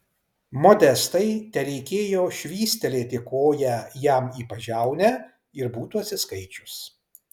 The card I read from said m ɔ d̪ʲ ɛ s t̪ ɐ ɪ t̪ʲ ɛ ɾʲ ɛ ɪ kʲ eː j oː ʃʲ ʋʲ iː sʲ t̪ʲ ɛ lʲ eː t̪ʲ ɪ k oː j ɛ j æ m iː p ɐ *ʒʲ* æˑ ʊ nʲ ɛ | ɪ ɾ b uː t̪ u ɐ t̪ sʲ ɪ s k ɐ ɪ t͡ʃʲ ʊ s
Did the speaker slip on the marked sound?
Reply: no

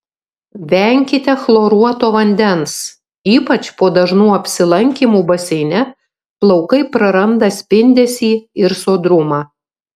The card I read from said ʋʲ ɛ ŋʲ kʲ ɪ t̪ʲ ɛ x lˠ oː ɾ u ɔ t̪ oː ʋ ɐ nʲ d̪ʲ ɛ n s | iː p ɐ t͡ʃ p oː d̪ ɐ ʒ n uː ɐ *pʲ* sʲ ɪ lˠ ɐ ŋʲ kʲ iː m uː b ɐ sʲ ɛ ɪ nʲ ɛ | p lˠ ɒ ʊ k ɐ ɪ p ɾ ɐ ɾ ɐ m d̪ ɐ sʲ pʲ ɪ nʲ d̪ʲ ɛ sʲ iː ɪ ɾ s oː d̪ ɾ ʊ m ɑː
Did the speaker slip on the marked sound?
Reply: no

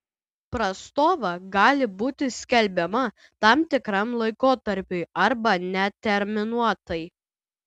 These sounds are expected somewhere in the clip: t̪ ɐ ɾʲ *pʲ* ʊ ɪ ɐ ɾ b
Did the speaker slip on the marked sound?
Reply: no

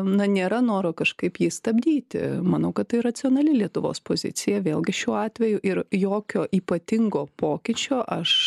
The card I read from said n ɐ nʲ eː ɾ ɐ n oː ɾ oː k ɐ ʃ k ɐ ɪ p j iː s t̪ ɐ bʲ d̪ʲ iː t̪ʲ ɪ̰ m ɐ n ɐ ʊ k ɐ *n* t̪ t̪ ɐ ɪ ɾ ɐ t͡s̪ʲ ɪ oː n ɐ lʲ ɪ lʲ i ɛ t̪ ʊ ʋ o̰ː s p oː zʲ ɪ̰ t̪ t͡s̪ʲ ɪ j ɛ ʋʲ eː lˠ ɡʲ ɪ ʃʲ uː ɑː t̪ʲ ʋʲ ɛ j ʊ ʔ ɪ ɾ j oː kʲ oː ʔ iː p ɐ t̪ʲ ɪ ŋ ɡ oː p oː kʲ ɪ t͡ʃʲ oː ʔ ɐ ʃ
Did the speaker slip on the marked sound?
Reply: yes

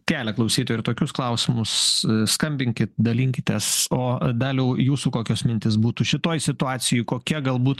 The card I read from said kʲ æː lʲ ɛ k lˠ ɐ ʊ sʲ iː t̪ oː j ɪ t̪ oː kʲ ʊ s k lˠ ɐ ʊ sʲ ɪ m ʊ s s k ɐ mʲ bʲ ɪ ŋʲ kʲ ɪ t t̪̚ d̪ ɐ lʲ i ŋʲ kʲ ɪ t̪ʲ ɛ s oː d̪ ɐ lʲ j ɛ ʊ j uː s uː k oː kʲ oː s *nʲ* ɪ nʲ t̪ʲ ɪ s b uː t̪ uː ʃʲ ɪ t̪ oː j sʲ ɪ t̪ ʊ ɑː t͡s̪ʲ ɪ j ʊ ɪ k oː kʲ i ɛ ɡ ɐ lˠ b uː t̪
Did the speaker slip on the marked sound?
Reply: yes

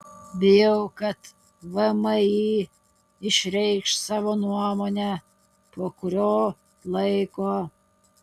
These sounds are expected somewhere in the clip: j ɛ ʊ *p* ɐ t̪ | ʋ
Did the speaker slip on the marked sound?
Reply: yes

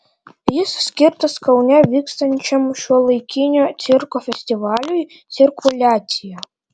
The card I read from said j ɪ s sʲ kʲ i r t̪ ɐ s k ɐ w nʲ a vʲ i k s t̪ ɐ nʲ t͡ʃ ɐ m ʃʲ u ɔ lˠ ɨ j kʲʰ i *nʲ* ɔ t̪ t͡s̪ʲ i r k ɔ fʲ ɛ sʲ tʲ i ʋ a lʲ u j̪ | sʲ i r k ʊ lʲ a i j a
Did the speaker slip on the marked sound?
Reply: no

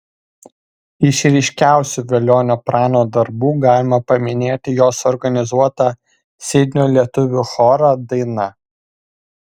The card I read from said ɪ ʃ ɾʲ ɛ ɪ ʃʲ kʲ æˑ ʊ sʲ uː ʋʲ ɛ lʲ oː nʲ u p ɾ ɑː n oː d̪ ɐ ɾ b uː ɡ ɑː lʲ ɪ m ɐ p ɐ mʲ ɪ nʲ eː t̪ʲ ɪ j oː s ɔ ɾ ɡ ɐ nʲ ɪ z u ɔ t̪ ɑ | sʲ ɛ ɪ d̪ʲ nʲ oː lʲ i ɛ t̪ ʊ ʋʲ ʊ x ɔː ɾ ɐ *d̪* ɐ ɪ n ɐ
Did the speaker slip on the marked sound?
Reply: no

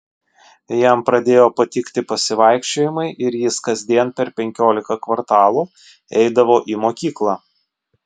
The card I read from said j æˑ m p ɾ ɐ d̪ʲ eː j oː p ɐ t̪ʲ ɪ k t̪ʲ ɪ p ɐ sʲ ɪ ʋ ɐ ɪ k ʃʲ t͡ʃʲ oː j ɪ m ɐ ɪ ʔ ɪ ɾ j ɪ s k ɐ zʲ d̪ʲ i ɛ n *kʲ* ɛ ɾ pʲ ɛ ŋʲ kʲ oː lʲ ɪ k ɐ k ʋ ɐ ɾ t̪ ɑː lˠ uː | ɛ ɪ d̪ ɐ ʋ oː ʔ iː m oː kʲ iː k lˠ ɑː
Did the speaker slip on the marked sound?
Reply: yes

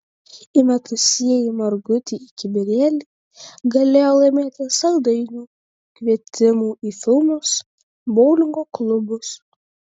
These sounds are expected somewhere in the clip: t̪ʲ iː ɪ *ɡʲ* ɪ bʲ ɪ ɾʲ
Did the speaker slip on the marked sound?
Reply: yes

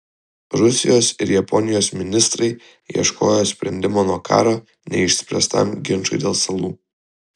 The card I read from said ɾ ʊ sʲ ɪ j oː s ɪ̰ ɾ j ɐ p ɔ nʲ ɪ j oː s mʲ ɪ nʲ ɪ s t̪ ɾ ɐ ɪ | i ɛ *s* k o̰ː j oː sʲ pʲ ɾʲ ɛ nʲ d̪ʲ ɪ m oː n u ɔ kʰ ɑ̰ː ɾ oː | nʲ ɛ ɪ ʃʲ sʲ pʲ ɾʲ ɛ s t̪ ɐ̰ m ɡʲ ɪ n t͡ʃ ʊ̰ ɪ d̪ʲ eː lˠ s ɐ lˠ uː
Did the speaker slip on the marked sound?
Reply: yes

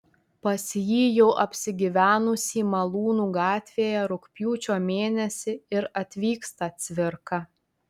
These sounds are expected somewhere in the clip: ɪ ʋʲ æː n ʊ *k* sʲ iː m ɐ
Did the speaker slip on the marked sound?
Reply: yes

